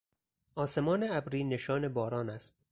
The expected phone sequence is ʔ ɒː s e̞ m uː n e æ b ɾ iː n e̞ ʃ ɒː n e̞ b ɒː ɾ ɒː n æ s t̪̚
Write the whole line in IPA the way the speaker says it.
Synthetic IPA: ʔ ɒː s e̞ m ɒː n e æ b ɾ iː n e̞ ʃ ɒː n e̞ b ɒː ɾ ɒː n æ s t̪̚